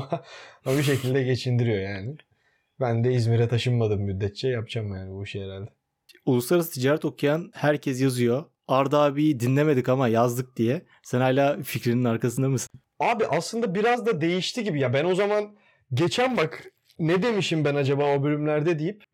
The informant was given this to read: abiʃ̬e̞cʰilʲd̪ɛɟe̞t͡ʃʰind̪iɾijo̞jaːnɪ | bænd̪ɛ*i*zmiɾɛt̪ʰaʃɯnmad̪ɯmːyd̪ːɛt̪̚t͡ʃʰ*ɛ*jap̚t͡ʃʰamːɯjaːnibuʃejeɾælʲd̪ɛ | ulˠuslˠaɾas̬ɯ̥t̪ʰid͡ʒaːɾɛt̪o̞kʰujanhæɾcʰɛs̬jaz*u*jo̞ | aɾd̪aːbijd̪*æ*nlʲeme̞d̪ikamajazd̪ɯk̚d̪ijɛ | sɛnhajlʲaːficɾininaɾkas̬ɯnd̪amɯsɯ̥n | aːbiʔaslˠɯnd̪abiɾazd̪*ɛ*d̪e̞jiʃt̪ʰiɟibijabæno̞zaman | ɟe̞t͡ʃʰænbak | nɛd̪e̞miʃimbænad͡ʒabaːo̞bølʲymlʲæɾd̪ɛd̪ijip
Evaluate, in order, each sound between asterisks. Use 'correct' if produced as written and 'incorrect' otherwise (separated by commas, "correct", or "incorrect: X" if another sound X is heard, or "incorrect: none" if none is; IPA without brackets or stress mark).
correct, correct, incorrect: ɯ, incorrect: i, incorrect: a